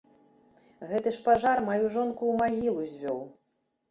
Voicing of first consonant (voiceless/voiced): voiced